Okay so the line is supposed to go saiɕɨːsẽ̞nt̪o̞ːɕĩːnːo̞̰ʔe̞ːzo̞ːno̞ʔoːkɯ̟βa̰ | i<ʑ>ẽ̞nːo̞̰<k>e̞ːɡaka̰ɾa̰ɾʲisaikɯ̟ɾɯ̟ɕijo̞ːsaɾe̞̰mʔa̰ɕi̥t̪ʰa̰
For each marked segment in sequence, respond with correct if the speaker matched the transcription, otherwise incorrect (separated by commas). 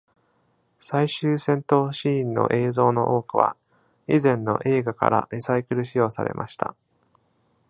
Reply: incorrect, incorrect